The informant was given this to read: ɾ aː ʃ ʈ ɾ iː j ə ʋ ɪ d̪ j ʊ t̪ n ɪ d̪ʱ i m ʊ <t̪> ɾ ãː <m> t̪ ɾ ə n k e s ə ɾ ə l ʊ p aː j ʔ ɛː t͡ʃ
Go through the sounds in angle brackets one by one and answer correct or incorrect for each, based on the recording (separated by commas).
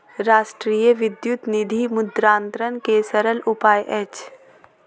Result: incorrect, incorrect